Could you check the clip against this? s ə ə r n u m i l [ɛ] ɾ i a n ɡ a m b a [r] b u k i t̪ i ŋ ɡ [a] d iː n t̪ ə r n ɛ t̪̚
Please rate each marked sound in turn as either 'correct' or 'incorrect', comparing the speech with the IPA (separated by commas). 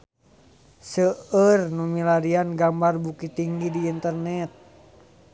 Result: incorrect, correct, incorrect